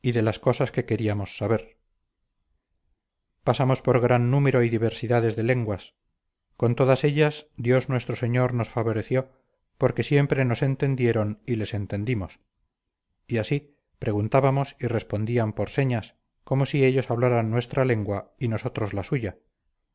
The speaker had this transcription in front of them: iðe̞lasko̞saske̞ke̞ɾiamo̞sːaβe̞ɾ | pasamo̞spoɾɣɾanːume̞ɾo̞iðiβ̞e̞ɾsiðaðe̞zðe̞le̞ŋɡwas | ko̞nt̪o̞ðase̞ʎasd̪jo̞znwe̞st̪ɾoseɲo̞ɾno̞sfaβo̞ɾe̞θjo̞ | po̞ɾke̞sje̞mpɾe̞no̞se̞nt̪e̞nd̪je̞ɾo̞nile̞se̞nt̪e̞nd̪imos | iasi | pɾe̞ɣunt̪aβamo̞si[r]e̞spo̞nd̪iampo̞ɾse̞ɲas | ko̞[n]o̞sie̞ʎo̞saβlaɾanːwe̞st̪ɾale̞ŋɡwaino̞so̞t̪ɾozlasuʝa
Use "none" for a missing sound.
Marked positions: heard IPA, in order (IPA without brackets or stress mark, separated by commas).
r, m